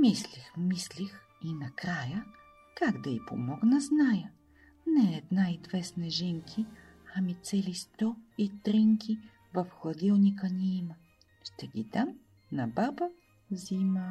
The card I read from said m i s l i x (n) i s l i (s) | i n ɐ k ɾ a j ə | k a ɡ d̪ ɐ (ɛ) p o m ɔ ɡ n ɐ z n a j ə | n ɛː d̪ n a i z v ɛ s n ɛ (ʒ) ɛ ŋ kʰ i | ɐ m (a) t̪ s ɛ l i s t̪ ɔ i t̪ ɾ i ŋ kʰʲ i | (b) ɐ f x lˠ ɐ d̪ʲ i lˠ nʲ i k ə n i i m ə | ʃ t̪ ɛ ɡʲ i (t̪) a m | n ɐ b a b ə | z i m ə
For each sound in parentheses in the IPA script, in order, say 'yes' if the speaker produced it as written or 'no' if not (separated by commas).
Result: no, no, no, yes, no, no, no